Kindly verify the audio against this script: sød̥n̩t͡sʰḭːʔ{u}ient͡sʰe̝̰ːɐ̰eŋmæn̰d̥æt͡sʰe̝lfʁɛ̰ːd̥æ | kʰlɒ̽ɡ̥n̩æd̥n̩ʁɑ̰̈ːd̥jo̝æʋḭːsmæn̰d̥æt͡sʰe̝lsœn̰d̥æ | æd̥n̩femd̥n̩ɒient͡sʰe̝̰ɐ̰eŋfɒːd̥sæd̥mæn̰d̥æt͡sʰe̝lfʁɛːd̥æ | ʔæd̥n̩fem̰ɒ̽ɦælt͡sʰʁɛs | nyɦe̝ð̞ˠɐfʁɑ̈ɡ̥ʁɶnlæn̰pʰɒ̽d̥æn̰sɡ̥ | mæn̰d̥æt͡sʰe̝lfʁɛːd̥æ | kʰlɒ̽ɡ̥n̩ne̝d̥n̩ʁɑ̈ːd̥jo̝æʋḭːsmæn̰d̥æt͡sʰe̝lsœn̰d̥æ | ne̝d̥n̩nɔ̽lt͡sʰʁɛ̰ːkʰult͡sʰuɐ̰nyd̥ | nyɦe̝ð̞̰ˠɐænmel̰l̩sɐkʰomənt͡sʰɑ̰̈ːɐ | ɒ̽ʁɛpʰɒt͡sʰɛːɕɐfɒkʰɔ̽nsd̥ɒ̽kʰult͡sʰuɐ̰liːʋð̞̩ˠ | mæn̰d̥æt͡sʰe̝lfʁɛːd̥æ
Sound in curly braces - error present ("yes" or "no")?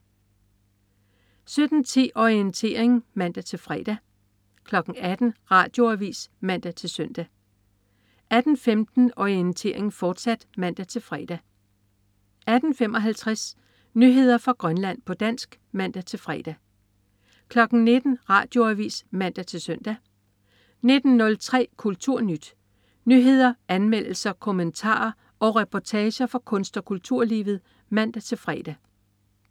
yes